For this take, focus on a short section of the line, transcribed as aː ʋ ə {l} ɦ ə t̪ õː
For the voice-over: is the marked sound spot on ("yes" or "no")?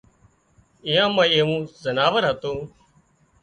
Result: no